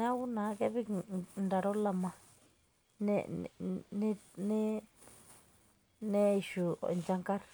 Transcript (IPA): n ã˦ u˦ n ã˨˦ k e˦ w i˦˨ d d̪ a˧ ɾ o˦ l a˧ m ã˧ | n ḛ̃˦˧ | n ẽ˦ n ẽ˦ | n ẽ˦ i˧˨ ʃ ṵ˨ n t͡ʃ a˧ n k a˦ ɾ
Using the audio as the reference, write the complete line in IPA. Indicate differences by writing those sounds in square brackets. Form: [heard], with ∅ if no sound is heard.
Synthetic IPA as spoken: n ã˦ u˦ n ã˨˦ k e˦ [β] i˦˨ [n] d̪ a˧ ɾ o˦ l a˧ m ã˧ | n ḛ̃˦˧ | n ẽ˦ n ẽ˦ | n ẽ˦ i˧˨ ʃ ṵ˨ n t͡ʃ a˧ [ŋ] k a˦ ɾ